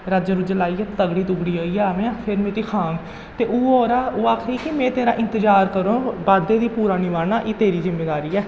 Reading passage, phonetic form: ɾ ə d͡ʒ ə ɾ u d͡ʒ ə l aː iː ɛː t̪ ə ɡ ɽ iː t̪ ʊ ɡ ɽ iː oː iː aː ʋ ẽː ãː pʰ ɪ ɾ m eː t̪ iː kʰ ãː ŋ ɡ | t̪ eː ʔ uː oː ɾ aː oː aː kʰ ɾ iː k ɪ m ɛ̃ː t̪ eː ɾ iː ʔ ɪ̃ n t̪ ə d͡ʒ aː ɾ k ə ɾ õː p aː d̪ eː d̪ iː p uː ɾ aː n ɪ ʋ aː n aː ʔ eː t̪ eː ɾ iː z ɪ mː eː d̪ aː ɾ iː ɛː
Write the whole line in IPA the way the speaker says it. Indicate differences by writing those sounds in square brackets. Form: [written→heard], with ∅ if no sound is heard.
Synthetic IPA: ɾ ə d͡ʒ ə ɾ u d͡ʒ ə l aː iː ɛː t̪ ə ɡ ɽ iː t̪ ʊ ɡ ɽ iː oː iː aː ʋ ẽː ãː pʰ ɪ ɾ m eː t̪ iː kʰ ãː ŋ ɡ | t̪ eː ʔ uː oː ɾ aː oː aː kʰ ɾ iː k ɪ m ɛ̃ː t̪ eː ɾ [iː→aː] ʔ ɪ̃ n t̪ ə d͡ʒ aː ɾ k ə ɾ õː [p→b] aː d̪ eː d̪ iː p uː ɾ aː n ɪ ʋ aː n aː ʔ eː t̪ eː ɾ iː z ɪ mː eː d̪ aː ɾ iː ɛː